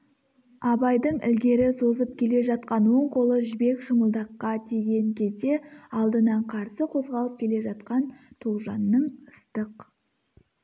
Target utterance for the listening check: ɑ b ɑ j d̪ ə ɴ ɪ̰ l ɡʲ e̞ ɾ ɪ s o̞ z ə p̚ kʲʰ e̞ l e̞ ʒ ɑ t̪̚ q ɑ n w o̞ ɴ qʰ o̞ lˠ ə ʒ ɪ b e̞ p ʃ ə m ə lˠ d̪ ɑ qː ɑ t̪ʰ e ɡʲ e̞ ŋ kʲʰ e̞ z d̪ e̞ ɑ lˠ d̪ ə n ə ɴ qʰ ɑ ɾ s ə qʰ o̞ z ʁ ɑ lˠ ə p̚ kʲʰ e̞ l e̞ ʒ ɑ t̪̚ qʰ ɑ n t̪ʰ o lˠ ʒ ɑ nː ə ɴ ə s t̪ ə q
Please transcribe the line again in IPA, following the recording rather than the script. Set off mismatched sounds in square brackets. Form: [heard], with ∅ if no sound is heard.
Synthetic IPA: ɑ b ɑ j d̪ ə ɴ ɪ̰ l ɡʲ e̞ ɾ ɪ s o̞ z ə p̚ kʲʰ e̞ l e̞ ʒ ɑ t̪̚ q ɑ n w o̞ ɴ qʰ o̞ lˠ ə ʒ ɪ b e̞ [k] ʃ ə m ə lˠ d̪ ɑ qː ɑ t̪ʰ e ɡʲ e̞ ŋ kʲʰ e̞ z d̪ e̞ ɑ lˠ d̪ ə n [ɑ] ɴ qʰ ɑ ɾ s ə qʰ o̞ z ʁ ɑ lˠ ə p̚ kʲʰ e̞ l e̞ ʒ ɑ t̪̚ [q] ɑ n t̪ʰ o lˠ ʒ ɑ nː ə ɴ ə s t̪ ə q